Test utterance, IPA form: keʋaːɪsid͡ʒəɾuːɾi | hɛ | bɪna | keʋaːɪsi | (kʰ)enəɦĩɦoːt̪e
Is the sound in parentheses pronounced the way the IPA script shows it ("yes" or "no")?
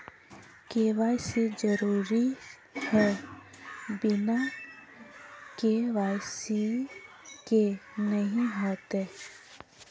no